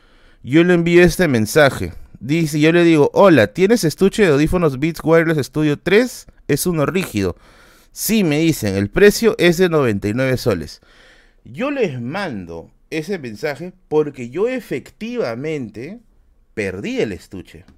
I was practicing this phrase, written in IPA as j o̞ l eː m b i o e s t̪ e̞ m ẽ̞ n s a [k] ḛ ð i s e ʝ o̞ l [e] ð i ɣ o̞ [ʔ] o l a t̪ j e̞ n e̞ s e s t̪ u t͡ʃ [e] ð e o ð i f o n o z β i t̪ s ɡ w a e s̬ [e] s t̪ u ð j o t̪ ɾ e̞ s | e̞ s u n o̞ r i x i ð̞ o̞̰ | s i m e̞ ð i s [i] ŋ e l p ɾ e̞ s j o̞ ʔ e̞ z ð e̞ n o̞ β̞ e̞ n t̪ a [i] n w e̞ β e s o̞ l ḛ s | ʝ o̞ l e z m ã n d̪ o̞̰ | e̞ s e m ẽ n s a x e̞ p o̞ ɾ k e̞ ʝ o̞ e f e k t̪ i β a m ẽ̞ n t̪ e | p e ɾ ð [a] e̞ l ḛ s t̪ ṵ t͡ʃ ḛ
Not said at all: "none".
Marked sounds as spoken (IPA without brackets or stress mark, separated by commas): x, e, ʔ, e, e, e, j, i